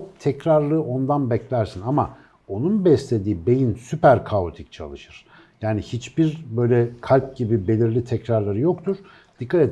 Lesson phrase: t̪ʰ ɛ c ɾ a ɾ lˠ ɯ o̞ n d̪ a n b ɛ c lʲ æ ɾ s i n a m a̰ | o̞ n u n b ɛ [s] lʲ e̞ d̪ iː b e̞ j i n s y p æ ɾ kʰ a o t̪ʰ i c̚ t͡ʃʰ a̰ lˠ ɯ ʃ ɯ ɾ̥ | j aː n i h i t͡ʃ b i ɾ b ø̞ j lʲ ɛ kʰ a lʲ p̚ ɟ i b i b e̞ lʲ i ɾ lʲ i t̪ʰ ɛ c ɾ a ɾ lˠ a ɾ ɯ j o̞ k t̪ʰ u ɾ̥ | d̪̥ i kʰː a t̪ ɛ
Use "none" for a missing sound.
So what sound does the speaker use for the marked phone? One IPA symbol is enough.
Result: s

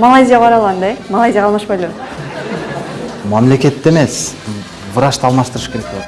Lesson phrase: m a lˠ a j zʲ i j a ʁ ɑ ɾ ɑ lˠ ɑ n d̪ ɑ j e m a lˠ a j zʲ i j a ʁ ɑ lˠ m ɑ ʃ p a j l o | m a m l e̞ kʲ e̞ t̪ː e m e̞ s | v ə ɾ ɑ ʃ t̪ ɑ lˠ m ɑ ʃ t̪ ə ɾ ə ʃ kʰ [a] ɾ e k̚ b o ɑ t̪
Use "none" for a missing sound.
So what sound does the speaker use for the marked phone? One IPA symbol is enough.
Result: e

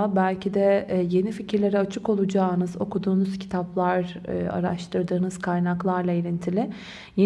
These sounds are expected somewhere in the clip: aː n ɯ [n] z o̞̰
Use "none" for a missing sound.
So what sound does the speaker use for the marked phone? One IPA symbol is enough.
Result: none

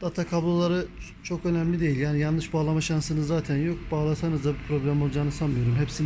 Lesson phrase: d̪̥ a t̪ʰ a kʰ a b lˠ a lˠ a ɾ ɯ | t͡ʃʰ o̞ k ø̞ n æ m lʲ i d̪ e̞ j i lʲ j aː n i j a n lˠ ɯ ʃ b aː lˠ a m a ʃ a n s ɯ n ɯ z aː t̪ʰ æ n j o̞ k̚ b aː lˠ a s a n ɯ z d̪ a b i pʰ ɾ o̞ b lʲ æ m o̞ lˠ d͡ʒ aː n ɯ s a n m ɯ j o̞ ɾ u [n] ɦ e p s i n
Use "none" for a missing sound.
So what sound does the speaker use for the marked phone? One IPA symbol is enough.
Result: m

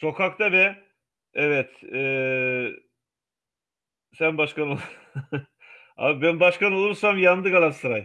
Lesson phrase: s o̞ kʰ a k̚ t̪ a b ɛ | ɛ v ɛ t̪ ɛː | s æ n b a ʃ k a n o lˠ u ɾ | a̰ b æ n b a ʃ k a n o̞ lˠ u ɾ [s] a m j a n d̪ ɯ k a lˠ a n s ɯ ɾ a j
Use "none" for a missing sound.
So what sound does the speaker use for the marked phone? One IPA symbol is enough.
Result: s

